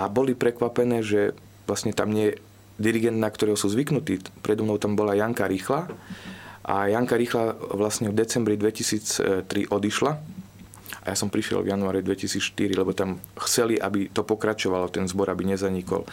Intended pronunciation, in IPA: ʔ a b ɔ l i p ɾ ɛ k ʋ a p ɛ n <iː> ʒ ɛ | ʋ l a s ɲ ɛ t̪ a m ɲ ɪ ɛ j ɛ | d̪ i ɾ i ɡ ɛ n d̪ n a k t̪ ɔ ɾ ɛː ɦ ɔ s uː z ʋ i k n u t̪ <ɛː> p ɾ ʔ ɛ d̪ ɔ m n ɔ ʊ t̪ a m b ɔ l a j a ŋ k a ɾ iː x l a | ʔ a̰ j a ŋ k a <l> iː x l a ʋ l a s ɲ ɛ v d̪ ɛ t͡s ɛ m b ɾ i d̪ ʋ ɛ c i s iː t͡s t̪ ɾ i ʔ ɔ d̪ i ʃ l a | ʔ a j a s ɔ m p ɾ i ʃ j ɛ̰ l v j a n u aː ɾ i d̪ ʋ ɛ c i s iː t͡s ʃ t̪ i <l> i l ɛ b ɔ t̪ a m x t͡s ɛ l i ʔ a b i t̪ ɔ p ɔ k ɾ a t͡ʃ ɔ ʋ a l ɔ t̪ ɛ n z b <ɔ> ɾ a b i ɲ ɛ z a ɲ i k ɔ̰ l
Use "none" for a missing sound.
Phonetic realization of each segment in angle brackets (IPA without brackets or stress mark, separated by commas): ɛː, iː, ɾ, ɾ, ɔ